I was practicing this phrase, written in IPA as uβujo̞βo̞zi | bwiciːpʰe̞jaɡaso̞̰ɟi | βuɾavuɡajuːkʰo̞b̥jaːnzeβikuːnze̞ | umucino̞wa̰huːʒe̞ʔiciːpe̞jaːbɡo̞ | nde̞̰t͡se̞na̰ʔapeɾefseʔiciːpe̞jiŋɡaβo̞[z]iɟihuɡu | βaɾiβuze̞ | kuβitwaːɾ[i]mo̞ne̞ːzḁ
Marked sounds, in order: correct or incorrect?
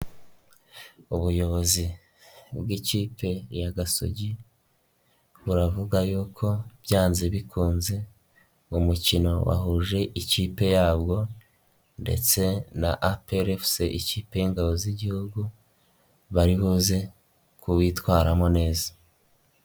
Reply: correct, incorrect: a

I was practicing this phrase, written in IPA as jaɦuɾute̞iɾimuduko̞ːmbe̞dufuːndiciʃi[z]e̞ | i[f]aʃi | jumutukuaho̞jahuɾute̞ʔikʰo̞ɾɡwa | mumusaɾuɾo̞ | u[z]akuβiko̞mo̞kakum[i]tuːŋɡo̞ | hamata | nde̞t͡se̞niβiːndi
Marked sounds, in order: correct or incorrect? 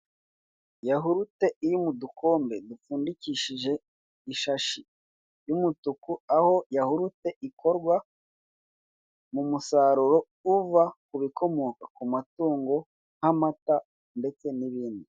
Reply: incorrect: ʒ, incorrect: ʃ, incorrect: v, incorrect: a

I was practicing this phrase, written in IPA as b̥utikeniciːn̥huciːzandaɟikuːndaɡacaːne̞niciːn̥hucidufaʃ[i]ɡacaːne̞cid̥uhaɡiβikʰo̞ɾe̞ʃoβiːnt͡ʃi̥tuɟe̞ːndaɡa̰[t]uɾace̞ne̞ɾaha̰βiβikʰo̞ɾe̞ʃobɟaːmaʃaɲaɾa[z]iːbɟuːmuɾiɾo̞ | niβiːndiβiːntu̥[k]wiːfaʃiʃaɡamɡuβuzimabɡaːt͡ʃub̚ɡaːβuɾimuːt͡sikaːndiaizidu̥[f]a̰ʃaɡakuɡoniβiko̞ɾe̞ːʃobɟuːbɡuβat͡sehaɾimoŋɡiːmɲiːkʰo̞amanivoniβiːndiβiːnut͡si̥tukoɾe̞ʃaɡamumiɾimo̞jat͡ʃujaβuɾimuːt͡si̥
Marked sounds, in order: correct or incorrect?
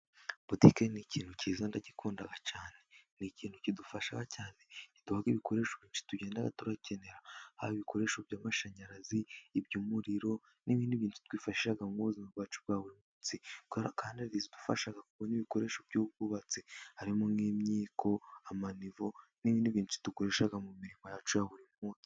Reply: incorrect: a, correct, correct, incorrect: t, correct

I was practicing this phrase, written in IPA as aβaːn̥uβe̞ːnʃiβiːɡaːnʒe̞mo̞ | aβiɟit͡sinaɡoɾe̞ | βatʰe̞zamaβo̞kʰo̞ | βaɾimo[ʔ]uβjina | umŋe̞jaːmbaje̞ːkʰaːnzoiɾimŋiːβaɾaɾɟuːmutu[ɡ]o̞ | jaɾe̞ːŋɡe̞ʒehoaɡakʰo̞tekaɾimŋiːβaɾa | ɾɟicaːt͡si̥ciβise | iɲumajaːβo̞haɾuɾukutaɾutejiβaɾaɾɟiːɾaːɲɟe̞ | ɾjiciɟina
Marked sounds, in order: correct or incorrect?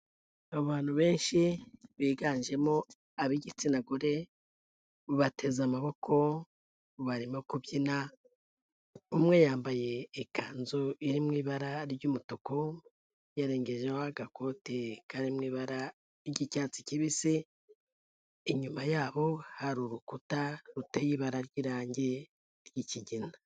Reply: incorrect: k, incorrect: k

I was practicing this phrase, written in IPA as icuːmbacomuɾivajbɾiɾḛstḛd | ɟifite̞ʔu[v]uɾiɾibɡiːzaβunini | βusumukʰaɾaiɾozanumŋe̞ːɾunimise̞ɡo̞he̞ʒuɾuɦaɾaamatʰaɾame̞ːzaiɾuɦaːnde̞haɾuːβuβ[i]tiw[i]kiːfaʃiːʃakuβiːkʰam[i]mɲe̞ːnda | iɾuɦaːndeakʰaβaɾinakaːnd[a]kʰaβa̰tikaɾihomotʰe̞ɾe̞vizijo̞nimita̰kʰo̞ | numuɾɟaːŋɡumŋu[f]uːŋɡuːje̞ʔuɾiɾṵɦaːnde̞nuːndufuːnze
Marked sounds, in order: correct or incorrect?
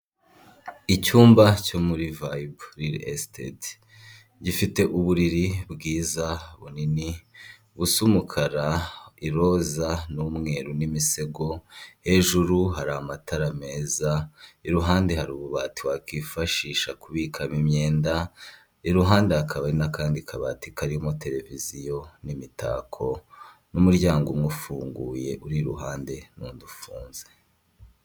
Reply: incorrect: β, incorrect: a, incorrect: a, correct, incorrect: i, correct

